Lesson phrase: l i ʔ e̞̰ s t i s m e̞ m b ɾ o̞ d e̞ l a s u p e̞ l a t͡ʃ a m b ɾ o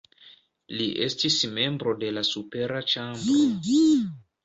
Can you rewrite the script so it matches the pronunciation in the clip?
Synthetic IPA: l i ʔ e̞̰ s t i s m e̞ m b ɾ o̞ d e̞ l a s u p e̞ ɾ a t͡ʃ a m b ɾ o